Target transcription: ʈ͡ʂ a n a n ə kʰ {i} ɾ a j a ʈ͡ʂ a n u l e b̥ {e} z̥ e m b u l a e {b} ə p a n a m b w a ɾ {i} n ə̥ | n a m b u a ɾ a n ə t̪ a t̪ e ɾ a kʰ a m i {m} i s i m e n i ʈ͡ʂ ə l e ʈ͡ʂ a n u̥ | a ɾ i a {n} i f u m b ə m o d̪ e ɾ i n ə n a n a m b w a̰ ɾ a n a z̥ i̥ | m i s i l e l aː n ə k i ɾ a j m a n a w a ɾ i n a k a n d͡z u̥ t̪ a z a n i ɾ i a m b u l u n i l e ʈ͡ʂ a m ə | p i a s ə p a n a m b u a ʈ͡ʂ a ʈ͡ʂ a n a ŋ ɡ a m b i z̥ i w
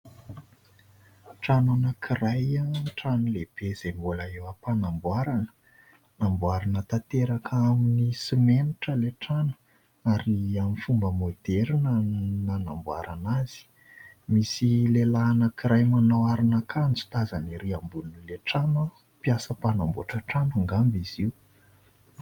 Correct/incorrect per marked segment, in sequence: correct, correct, incorrect: w, incorrect: a, incorrect: n, incorrect: m

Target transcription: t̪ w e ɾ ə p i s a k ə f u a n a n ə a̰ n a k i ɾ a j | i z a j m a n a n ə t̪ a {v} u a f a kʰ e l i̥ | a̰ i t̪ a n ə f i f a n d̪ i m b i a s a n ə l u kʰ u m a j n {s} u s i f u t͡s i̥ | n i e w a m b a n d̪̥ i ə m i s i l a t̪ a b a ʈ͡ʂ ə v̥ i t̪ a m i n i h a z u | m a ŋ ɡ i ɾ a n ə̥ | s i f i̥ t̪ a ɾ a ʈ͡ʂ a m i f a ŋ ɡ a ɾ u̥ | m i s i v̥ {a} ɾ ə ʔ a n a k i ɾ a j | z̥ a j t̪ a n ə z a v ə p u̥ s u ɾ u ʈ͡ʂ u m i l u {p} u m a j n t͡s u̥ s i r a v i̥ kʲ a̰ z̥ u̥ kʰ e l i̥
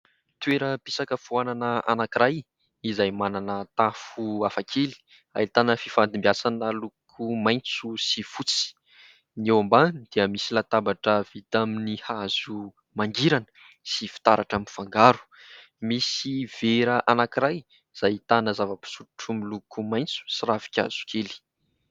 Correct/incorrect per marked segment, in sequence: incorrect: f, incorrect: t͡s, incorrect: e, incorrect: k

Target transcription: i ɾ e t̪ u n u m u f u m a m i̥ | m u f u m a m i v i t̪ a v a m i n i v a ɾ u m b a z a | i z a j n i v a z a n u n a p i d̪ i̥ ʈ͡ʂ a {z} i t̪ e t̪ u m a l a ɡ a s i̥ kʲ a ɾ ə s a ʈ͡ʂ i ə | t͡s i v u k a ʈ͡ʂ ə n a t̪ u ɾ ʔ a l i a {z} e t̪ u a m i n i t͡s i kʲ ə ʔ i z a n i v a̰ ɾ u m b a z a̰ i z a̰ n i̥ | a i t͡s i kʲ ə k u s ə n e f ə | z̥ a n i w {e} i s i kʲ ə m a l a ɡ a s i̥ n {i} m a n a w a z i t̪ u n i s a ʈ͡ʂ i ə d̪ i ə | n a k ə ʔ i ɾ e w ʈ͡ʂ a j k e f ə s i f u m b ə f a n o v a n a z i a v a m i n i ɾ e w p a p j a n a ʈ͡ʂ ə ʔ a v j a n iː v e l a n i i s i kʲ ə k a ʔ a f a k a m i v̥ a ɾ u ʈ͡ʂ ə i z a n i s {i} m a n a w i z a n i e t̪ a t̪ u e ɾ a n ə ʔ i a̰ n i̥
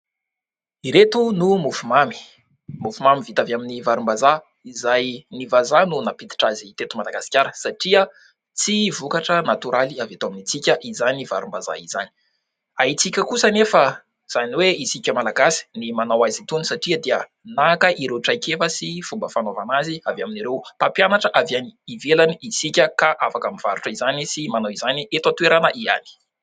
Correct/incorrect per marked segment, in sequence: correct, incorrect: v, correct, correct, correct

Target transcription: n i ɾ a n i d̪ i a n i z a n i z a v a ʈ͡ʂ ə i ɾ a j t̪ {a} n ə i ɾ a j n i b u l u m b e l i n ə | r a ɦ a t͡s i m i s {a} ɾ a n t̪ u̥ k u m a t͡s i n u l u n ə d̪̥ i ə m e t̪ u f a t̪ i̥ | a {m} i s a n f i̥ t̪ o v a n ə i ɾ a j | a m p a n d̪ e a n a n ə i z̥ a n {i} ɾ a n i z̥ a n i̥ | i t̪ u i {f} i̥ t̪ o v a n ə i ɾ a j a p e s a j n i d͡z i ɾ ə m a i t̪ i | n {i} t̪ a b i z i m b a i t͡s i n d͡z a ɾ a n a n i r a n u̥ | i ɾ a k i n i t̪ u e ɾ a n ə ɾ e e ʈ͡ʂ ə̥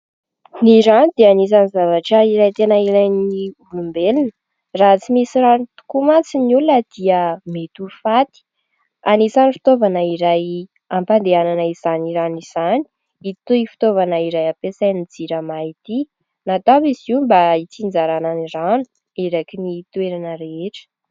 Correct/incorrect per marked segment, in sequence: incorrect: e, incorrect: i, incorrect: n, correct, correct, incorrect: a

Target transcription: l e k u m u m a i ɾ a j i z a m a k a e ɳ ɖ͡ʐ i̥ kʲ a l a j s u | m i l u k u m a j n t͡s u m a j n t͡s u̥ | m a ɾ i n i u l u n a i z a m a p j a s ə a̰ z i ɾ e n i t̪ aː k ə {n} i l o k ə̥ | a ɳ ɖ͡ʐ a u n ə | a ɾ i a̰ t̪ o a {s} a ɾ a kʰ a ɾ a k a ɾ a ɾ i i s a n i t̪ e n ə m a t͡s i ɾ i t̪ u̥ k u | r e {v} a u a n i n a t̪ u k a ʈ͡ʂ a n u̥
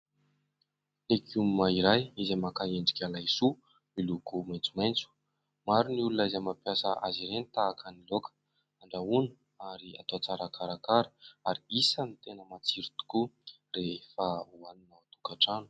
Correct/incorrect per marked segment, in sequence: correct, incorrect: t͡s, incorrect: f

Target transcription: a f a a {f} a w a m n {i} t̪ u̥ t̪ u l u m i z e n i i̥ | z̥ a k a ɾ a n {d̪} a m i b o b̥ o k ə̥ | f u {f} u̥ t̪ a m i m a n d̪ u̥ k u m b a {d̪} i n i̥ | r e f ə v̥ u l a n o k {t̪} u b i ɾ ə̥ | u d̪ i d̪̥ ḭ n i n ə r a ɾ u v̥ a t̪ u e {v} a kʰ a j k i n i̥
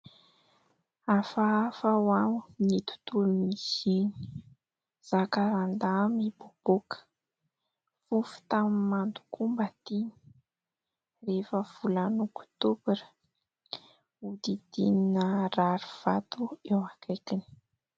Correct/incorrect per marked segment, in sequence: correct, correct, correct, correct, incorrect: t̪, correct, incorrect: w

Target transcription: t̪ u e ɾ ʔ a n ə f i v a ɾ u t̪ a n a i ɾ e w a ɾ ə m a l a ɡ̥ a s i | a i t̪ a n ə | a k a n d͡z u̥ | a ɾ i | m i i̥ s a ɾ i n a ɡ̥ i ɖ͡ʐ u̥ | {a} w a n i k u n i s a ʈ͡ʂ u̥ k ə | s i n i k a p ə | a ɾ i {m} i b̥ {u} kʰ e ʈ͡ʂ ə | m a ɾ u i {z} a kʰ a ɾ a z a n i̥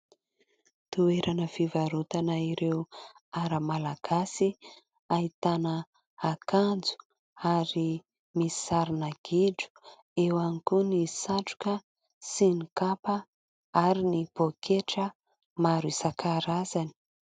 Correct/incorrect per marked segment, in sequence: incorrect: e, incorrect: n, incorrect: o, incorrect: s

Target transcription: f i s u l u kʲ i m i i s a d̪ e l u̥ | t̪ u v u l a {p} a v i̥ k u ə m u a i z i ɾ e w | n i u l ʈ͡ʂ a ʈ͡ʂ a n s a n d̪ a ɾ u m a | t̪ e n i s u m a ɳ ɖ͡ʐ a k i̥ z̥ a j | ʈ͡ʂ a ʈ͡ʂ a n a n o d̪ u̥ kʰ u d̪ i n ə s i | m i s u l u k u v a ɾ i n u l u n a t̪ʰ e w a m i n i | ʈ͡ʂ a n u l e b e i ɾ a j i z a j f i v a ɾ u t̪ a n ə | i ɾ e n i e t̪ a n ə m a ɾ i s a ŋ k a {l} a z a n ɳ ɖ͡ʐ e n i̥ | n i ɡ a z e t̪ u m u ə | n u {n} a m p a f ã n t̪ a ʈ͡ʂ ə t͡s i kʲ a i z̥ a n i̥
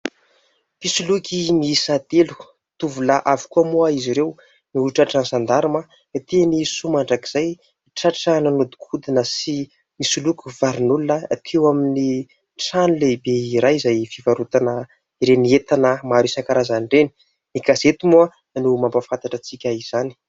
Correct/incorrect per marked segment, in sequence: incorrect: ʔ, incorrect: ɾ, incorrect: m

